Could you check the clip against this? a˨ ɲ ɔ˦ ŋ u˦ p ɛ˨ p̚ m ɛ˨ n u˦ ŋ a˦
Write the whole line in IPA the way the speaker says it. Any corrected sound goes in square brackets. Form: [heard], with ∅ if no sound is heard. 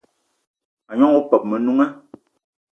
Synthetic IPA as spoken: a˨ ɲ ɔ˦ ŋ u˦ p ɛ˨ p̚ m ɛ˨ n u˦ ŋ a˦